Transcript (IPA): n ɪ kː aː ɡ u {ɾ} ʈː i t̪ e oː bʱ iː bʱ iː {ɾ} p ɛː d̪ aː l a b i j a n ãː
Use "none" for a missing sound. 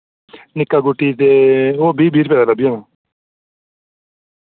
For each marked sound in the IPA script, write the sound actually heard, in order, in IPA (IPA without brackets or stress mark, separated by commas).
none, ɾ